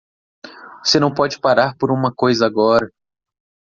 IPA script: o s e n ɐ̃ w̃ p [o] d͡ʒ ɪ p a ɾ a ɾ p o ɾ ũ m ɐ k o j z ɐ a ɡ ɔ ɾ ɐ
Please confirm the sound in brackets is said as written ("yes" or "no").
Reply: no